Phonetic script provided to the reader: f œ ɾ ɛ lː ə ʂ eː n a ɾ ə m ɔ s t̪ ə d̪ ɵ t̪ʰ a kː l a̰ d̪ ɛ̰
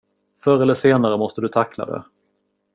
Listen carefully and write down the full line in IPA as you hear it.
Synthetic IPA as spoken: f œ ɾ ɛ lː ə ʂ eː n a ɾ ə m ɔ s t̪ ə d̪ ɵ t̪ʰ a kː l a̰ d̪ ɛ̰

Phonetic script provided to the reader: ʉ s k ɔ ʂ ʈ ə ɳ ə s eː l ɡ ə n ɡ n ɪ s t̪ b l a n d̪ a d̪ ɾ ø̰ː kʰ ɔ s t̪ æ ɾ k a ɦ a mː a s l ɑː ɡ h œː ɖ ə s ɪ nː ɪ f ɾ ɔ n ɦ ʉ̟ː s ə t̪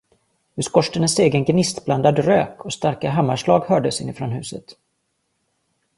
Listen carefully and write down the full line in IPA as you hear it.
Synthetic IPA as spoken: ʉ s k ɔ ʂ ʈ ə n ə s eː ɡ ə n ɡ n ɪ s t̪ b l a n d̪ a d̪ ɾ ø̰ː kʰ ɔ s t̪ a ɾ k a ɦ a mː a ʂ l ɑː ɡ h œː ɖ ə s ɪ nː ɪ f ɾ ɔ n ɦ ʉ̟ː s ə t̪

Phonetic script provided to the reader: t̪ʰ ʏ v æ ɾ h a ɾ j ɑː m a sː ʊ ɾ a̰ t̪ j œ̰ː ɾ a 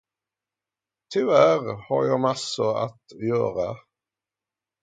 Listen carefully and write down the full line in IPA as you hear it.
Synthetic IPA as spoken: t̪ʰ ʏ v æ ɾ h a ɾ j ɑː m a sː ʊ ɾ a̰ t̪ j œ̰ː ɾ a

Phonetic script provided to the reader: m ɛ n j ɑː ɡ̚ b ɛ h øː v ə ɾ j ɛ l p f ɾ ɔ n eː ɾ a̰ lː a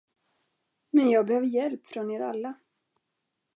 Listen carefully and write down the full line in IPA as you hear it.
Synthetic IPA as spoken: m ɛ n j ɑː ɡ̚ b ɛ h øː v ə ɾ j ɛ l p f ɾ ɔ n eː ɾ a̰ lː a

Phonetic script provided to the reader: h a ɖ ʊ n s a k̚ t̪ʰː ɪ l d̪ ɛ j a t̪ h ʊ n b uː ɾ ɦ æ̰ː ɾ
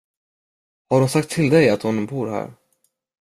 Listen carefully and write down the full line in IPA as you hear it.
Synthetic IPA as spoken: h a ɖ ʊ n s a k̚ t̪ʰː ɪ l d̪ ɛ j a t̪ h ʊ n b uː ɾ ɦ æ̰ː ɾ

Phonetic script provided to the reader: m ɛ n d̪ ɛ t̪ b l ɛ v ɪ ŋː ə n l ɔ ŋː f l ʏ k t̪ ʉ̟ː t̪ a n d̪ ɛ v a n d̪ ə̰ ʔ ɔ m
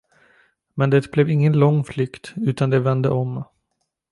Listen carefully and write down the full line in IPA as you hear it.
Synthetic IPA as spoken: m ɛ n d̪ ɛ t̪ b l ɛ v ɪ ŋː ə n l ɔ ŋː f l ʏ k t̪ ʉ̟ː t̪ a n d̪ ɛ v ɛ n d̪ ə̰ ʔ ɔ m

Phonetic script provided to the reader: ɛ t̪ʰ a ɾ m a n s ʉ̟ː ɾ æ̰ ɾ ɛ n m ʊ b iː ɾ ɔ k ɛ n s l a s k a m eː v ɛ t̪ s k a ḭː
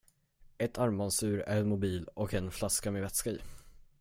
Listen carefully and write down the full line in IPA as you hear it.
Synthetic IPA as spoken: ɛ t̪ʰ a ɾ m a n s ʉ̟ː ɾ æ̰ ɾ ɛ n m ʊ b iː l ɔ k ɛ n f l a s k a m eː v ɛ t̪ s k a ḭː

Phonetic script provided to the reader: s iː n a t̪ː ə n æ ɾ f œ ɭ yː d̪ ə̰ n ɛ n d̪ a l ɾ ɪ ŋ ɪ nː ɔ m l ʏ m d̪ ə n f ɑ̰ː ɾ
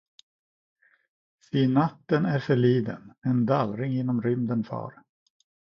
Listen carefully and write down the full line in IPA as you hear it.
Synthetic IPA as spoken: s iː n a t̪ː ə n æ ɾ f œ ɭ iː d̪ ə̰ n ɛ n d̪ a l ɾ ɪ ŋ ɪ nː ɔ m ɾ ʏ m d̪ ə n f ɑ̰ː ɾ

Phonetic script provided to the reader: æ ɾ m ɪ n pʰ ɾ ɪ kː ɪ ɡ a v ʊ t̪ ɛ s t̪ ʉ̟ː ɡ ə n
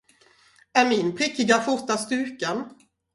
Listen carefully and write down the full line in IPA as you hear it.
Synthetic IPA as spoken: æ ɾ m ɪ n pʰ ɾ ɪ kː ɪ ɡ a f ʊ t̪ a s t̪ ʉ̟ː k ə n

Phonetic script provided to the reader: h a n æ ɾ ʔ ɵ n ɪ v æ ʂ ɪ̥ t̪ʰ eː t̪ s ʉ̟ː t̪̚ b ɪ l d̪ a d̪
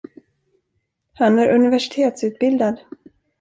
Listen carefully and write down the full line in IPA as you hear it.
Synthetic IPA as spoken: h a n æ ɾ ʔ ɵ n ɪ v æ ʂ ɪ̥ t̪ʰ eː t̪ s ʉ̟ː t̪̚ b ɪ l d̪ a d̪

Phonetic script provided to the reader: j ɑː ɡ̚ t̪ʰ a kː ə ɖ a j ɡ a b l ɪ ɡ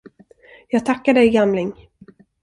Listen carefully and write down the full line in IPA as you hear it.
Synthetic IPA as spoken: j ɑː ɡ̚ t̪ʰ a kː a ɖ ɛ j ɡ a m l ɪ ŋ

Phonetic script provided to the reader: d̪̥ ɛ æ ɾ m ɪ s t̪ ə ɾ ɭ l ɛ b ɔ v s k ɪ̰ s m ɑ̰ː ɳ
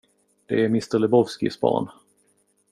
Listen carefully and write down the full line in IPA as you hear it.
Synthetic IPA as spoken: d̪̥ ɛ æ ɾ m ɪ s t̪ ə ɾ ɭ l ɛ b ɔ v s k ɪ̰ s b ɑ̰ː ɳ

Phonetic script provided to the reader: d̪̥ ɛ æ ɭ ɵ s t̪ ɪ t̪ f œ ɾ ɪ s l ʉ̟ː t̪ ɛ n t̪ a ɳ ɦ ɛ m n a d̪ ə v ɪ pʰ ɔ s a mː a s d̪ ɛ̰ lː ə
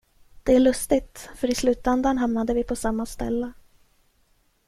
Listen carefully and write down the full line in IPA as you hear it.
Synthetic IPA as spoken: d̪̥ ɛ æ ɭ ɵ s t̪ ɪ t̪ f œ ɾ ɪ s l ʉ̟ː t̪ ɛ n d̪ a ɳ ɦ a m n a d̪ ə v ɪ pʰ ɔ s a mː a s t̪ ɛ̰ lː ə

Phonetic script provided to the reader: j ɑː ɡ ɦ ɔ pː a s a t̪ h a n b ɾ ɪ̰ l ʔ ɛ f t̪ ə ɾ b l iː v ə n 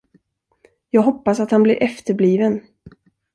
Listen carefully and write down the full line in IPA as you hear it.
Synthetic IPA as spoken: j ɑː ɡ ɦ ɔ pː a s a t̪ h a n b l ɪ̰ ɾ ʔ ɛ f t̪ ə ɾ b l iː v ə n

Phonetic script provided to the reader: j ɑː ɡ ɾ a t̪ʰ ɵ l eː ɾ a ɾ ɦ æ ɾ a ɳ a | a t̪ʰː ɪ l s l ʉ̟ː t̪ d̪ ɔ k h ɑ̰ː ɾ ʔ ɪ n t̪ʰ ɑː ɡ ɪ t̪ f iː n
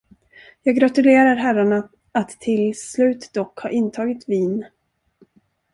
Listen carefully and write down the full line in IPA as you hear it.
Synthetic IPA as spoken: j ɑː ɡ ɾ a t̪ ɵ l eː ɾ a ɾ ɦ æ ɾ a ɳ a | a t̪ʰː ɪ l s l ʉ̟ː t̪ d̪ ɔ k h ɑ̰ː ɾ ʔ ɪ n t̪ʰ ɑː ɡ ɪ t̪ v iː n

